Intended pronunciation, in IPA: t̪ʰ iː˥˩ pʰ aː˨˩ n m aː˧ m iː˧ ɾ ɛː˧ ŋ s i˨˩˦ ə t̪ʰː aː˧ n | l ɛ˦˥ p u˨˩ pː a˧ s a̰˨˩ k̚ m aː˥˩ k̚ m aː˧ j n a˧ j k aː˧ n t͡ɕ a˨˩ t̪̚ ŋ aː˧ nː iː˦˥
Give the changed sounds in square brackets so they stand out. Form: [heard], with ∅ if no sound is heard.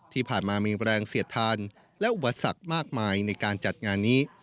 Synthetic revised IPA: t̪ʰ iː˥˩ pʰ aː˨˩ n m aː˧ m iː˧ ɾ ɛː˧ ŋ s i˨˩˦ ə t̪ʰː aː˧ n | l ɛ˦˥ [ʔ] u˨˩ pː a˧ s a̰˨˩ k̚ m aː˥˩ k̚ m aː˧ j n a˧ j k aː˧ n t͡ɕ a˨˩ t̪̚ ŋ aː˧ nː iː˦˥